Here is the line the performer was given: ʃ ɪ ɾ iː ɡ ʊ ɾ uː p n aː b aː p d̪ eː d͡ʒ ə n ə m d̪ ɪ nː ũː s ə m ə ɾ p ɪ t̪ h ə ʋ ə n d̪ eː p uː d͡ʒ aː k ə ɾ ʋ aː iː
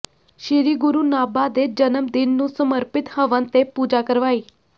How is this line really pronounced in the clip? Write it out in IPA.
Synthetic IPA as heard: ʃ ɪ ɾ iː ɡ ʊ ɾ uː n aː b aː d̪ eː d͡ʒ ə n ə m d̪ ɪ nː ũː s ə m ə ɾ p ɪ t̪ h ə ʋ ə n t̪ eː p uː d͡ʒ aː k ə ɾ ʋ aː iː